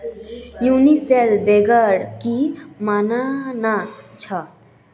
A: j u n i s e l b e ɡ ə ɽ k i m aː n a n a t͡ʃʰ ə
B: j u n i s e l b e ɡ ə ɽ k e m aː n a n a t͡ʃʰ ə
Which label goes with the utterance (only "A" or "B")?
A